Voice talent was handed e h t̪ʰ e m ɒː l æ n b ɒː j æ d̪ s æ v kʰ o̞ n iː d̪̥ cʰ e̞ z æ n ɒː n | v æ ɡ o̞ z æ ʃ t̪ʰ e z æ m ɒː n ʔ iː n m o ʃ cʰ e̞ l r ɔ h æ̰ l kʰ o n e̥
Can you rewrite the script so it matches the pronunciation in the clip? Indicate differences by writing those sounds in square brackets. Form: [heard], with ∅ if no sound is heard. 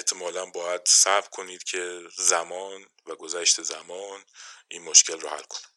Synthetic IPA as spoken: e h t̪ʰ e m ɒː l æ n b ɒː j æ d̪ s æ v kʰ o̞ n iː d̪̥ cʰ e̞ z æ [m] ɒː n | v æ ɡ o̞ z æ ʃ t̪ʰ e z æ m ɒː n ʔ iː n m o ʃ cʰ e̞ l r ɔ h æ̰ l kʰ o n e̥